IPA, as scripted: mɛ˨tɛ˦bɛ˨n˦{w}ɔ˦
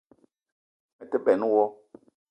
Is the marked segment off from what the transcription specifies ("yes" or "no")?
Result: no